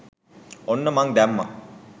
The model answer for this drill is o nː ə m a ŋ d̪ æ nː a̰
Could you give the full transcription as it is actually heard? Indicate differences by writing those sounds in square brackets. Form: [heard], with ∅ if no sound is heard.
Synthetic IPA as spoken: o nː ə m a ŋ d̪ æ [mː] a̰